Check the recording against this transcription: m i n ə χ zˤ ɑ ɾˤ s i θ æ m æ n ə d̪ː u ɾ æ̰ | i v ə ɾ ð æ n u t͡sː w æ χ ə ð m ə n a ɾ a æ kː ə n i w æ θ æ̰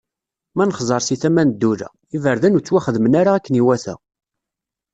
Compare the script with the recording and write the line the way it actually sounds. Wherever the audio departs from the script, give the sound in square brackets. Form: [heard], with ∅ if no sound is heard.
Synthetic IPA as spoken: m [æ] n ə χ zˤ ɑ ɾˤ s i θ æ m æ n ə d̪ː u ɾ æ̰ | i v ə ɾ ð æ n u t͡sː w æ χ ə ð m ə n a ɾ a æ kː ə n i w æ θ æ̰